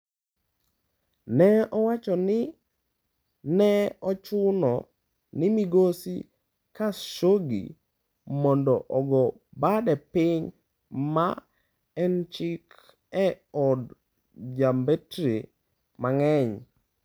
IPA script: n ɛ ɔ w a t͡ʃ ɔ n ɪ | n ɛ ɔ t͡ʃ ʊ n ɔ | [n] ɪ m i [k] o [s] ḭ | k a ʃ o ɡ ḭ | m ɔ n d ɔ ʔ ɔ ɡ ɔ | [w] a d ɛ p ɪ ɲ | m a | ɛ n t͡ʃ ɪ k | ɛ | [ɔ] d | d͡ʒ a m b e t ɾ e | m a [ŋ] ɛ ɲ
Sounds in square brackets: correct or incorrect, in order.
correct, incorrect: ɡ, correct, incorrect: b, correct, correct

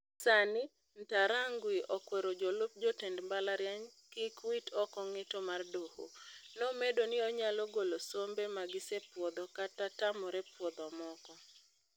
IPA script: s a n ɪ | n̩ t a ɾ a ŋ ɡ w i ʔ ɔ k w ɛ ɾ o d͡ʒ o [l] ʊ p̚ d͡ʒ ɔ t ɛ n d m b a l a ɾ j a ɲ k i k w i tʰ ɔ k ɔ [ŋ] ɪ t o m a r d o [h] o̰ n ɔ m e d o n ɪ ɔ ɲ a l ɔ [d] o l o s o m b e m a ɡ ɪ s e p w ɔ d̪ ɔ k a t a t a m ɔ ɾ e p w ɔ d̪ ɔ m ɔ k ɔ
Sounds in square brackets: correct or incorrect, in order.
correct, correct, correct, incorrect: ɡ

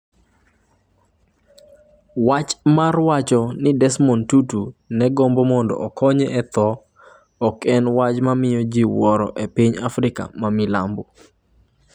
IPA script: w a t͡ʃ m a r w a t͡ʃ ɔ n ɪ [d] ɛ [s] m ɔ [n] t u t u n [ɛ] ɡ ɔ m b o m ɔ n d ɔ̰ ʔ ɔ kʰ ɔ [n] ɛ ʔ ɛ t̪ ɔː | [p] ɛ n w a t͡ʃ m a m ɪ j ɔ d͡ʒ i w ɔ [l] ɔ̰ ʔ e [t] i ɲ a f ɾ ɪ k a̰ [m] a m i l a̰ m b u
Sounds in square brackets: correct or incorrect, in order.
correct, correct, correct, correct, incorrect: ɲ, incorrect: k, incorrect: ɾ, incorrect: p, correct

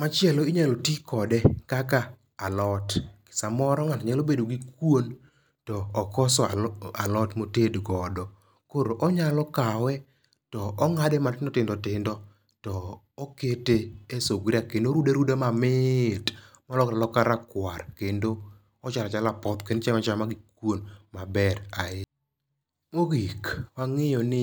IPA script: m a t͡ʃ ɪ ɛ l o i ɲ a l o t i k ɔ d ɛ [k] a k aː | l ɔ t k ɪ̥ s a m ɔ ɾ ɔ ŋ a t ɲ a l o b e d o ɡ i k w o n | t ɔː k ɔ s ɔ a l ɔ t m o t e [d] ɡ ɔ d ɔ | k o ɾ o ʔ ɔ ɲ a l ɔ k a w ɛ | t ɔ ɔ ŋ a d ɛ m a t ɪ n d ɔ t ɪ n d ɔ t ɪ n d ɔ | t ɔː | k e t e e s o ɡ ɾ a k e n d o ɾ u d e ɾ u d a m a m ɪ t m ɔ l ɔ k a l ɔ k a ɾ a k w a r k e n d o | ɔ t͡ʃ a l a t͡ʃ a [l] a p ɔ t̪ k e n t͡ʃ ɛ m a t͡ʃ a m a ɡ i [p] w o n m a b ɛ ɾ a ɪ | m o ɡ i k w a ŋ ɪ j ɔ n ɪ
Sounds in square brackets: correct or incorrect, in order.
correct, correct, correct, incorrect: k

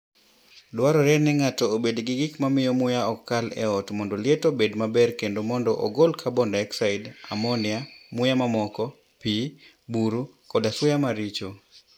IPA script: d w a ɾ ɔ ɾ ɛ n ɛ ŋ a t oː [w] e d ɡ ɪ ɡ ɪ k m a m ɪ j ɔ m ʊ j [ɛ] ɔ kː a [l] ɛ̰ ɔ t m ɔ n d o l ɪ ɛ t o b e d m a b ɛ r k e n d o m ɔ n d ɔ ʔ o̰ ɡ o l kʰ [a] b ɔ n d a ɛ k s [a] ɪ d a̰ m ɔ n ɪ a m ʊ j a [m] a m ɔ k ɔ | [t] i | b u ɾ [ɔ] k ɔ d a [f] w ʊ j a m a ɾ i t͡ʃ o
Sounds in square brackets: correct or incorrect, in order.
incorrect: b, incorrect: a, correct, correct, correct, correct, incorrect: p, incorrect: u, incorrect: s

